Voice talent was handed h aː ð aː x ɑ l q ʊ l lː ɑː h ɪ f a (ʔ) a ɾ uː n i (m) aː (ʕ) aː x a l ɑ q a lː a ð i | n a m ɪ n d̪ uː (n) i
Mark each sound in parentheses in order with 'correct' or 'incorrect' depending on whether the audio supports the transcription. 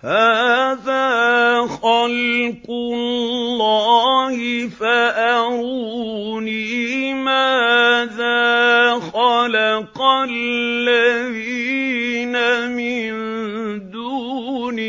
correct, correct, incorrect: ð, correct

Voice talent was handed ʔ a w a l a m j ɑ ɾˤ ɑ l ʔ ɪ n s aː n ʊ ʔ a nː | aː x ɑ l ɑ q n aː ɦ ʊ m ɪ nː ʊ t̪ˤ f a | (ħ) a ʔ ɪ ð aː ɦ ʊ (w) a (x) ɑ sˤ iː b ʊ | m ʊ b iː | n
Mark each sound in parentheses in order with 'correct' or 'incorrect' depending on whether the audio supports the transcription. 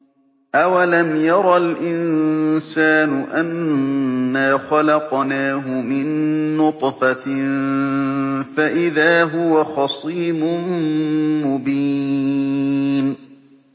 incorrect: f, correct, correct

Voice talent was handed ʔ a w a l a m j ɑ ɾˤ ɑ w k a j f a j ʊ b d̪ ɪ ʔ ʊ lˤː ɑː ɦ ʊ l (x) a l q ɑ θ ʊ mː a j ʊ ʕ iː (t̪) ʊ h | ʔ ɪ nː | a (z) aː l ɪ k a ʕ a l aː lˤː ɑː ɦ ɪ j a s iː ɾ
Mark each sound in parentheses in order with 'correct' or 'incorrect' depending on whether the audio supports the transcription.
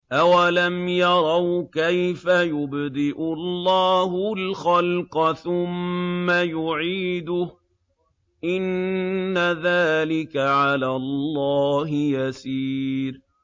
correct, incorrect: d̪, incorrect: ð

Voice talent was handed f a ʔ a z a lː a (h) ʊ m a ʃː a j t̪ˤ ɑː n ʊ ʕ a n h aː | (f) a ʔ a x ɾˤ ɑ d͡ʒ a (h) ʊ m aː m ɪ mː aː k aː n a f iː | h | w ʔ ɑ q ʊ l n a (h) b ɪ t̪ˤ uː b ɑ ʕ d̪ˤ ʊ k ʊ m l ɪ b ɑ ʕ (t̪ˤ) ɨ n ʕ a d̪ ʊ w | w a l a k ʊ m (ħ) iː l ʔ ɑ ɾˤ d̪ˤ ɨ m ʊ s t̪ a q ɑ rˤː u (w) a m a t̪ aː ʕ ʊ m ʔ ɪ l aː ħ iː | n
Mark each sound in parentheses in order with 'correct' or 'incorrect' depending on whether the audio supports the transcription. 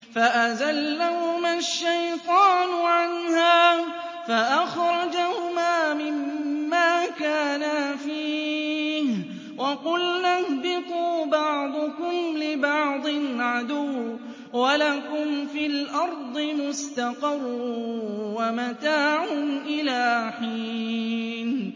correct, correct, correct, correct, incorrect: d̪ˤ, incorrect: f, correct

